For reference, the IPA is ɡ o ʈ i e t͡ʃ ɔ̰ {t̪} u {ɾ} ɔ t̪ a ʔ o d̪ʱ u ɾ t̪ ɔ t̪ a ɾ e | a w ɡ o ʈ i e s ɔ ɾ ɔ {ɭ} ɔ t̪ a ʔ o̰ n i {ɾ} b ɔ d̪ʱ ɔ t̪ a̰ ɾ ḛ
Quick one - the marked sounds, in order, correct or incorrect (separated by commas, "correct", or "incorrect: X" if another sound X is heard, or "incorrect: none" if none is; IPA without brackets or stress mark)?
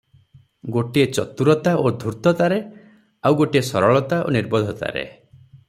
correct, correct, correct, correct